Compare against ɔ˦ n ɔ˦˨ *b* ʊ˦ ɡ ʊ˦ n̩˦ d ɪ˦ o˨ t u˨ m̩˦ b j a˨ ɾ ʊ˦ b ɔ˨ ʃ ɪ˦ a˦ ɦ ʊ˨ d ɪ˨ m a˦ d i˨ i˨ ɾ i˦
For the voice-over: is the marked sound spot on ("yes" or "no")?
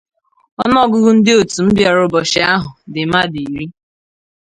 no